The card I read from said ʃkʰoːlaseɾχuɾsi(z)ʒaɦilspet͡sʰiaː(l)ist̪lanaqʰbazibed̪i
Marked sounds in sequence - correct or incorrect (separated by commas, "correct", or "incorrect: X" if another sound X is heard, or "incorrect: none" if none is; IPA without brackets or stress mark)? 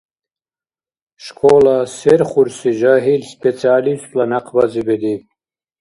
incorrect: none, correct